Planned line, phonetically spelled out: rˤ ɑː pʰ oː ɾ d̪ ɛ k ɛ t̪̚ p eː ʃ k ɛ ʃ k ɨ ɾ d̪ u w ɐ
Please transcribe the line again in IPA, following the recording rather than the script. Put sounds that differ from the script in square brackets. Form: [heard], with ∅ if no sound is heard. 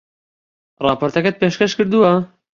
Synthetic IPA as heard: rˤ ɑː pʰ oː ɾ [t̪] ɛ k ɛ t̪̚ p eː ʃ k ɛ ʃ k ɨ ɾ d̪ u w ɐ